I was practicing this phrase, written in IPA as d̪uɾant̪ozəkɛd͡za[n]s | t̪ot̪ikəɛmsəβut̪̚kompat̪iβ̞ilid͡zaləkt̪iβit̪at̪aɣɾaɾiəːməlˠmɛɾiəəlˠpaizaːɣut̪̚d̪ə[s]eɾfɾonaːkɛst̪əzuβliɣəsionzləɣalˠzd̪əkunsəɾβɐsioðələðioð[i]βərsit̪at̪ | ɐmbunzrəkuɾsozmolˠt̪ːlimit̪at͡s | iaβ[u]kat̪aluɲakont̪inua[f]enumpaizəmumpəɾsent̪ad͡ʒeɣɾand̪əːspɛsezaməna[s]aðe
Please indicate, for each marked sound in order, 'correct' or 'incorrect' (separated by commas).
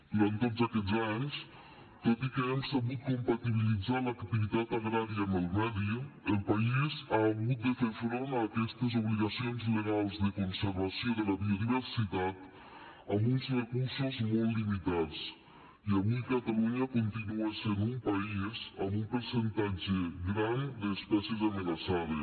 incorrect, incorrect, correct, correct, incorrect, correct